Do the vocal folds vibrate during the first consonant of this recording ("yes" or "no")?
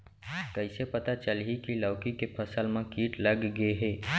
no